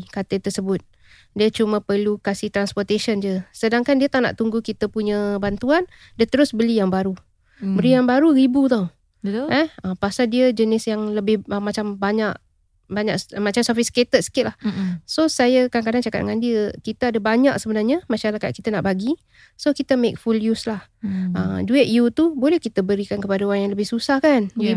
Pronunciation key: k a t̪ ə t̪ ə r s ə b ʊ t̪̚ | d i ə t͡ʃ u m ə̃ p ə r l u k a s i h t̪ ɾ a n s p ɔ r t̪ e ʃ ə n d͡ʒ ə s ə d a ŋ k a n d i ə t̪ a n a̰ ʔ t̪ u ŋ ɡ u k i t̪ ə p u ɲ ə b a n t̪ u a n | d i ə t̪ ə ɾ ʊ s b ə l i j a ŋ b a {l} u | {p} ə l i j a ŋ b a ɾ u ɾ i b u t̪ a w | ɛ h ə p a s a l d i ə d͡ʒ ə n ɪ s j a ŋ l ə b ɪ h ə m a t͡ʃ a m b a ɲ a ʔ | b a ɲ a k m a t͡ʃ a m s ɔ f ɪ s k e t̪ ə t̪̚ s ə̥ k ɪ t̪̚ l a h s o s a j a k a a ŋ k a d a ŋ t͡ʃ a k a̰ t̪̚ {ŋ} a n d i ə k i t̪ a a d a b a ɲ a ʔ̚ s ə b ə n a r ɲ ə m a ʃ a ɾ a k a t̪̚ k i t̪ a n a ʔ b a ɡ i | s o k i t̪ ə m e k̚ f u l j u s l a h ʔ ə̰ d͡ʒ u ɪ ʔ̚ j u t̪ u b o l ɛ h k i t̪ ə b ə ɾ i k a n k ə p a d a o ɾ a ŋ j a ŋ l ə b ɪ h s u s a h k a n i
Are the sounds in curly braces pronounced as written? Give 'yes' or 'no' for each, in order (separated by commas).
no, no, yes